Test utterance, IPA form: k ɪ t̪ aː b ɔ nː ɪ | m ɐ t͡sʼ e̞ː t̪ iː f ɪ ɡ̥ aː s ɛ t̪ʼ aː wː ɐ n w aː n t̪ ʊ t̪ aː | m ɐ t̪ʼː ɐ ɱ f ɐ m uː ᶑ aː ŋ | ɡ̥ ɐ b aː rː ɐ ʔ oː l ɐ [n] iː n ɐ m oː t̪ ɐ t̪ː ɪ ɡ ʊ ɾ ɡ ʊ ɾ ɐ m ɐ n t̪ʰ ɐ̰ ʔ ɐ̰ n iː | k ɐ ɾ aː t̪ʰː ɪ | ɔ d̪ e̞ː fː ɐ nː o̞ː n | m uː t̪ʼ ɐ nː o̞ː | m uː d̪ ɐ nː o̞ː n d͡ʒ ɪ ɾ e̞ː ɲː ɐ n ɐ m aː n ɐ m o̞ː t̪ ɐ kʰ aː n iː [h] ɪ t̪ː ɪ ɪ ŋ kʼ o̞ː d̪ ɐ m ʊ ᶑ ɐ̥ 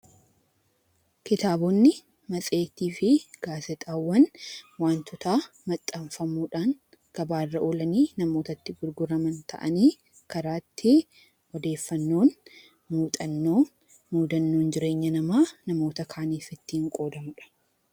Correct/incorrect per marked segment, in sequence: correct, incorrect: f

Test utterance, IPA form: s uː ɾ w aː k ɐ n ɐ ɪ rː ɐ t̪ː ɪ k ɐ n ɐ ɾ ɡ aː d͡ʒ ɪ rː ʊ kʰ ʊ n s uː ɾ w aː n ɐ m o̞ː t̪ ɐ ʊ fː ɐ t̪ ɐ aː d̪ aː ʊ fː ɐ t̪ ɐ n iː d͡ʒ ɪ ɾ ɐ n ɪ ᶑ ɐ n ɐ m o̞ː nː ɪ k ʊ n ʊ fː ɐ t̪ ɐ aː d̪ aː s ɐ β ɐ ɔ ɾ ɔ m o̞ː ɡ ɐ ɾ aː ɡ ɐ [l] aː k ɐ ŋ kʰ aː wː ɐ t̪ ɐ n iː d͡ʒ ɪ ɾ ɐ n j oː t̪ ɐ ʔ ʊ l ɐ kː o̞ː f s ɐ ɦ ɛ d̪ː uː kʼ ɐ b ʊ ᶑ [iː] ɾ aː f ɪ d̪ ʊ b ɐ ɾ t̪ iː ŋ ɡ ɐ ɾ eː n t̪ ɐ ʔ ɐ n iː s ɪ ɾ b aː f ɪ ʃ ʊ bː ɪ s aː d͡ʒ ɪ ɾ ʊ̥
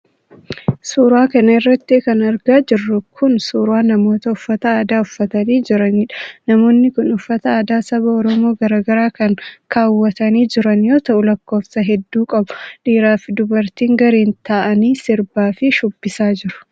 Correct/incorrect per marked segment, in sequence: incorrect: ɾ, correct

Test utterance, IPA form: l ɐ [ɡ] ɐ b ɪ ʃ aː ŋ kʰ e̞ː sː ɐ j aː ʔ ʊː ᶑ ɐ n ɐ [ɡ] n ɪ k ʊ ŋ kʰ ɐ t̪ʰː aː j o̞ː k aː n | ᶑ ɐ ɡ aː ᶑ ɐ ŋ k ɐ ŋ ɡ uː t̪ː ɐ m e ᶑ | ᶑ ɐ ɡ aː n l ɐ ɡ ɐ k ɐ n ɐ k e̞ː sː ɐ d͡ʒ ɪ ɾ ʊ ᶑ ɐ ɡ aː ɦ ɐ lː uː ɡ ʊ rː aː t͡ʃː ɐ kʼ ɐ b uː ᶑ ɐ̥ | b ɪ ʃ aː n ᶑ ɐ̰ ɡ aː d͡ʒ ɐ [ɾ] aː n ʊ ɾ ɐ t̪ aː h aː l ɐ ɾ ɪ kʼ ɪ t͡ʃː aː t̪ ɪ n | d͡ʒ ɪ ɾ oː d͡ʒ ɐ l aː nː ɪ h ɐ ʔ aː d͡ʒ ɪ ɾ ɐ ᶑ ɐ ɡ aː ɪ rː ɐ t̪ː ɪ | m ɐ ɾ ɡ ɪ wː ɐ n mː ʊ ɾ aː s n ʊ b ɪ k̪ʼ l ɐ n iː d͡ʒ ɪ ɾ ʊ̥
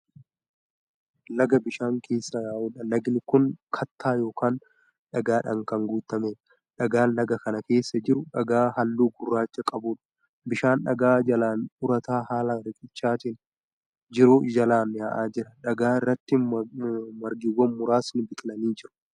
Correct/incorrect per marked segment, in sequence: correct, correct, incorrect: l

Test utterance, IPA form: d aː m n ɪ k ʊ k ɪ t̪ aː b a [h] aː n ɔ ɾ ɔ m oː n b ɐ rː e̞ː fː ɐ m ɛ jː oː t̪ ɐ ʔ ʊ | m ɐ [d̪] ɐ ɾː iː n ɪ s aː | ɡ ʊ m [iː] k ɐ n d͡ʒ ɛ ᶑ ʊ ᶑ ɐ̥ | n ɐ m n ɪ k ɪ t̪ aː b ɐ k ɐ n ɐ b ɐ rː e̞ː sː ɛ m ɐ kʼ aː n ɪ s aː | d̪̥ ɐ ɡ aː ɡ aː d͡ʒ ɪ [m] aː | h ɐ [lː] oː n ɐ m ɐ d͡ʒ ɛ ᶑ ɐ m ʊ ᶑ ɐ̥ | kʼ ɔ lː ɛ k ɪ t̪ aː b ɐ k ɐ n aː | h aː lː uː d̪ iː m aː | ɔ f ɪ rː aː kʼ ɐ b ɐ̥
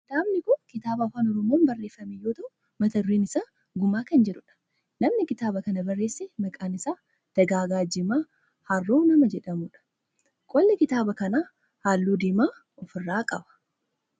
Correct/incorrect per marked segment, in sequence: incorrect: f, incorrect: t̪, incorrect: aː, correct, incorrect: rː

